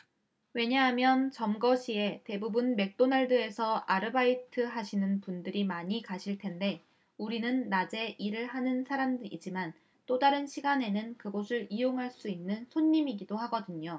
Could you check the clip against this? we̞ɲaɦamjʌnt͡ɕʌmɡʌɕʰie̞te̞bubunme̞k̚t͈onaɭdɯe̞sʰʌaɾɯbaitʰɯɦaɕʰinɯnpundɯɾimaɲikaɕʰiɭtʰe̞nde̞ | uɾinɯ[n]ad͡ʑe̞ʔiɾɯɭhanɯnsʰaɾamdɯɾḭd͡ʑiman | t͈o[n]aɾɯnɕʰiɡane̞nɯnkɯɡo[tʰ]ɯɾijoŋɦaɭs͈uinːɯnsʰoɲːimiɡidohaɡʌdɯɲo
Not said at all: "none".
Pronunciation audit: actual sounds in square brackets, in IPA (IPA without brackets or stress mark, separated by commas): nː, d, sʰ